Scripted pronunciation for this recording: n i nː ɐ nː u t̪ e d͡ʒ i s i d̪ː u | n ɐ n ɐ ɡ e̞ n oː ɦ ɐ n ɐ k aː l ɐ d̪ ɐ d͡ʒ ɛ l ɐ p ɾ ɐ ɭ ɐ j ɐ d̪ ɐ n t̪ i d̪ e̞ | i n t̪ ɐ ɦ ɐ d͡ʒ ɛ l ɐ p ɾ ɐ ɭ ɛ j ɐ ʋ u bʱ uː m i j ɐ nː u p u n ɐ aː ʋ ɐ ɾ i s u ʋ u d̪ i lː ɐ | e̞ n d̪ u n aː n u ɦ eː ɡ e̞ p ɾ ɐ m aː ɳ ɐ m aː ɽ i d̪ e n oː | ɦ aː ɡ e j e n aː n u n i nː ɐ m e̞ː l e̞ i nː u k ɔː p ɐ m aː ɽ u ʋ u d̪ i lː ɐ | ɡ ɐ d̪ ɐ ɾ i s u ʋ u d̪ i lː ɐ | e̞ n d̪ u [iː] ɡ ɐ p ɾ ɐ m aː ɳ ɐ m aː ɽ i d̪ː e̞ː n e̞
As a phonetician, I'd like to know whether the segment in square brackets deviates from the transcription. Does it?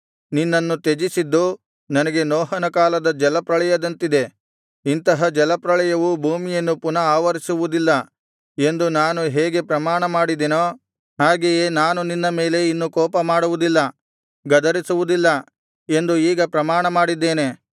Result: no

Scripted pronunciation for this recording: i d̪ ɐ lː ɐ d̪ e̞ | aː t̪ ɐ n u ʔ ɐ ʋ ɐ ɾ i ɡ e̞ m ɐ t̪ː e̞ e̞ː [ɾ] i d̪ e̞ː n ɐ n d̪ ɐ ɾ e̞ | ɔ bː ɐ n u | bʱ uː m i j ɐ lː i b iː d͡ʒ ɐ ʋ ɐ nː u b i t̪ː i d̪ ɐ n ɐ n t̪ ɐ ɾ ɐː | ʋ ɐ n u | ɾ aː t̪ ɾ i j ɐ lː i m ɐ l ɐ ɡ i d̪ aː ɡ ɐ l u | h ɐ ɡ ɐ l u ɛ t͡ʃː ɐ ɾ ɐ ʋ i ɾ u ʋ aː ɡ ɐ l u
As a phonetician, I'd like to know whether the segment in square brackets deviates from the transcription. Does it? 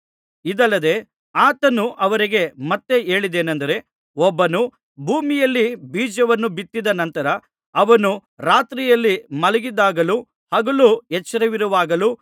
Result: yes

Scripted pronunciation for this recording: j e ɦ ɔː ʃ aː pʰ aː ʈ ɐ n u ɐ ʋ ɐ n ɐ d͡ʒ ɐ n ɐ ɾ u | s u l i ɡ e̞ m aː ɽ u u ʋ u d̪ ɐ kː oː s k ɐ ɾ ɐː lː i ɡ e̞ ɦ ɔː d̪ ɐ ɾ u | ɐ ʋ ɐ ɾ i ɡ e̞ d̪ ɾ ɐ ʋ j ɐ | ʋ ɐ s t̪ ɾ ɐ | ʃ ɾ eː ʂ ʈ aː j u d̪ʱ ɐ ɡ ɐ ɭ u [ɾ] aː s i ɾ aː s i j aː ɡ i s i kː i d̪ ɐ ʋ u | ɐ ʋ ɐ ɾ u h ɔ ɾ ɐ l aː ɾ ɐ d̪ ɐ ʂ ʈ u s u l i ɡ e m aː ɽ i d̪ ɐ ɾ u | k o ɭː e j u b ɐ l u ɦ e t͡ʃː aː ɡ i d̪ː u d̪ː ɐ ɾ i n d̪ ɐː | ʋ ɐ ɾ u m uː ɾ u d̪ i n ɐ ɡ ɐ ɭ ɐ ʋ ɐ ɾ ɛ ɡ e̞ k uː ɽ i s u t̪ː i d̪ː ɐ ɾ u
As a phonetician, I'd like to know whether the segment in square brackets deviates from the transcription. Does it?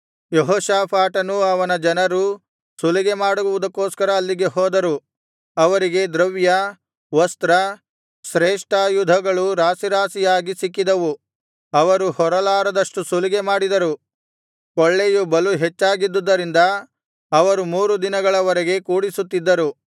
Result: no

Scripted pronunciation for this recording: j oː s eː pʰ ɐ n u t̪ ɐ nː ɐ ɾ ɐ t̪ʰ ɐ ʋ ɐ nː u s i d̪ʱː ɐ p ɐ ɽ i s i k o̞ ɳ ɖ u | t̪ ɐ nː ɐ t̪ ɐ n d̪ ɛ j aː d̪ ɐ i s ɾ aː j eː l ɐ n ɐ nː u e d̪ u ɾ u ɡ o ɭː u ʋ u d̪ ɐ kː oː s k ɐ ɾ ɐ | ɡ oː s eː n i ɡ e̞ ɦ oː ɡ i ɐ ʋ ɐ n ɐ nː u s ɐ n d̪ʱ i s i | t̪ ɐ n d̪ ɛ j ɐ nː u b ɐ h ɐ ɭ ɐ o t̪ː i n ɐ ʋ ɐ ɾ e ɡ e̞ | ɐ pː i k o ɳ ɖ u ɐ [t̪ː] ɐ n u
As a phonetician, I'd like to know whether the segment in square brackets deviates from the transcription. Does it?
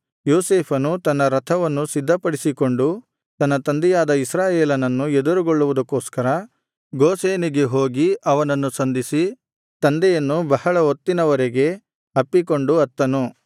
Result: no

